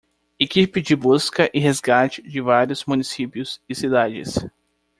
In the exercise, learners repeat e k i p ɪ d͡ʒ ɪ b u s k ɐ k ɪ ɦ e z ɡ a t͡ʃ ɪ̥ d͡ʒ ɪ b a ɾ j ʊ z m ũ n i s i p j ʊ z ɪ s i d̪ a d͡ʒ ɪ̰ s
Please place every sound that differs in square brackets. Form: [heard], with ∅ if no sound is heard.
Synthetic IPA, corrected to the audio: e k i p ɪ d͡ʒ ɪ b u s k ɐ [ʔ] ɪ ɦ e z ɡ a t͡ʃ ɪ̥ d͡ʒ ɪ [v] a ɾ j ʊ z m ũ n i s i p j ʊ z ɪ s i d̪ a d͡ʒ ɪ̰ s